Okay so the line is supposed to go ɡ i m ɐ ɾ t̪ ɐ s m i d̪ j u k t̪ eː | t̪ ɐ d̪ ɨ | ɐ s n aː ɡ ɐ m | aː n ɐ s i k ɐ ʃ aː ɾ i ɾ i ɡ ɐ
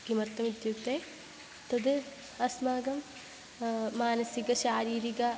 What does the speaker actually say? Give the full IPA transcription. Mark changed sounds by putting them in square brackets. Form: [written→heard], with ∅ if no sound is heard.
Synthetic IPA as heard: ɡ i m ɐ ɾ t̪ ɐ [s→∅] m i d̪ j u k t̪ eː | t̪ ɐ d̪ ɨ | ɐ s [n→m] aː ɡ ɐ m | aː n ɐ s i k ɐ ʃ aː ɾ [i→iː] ɾ i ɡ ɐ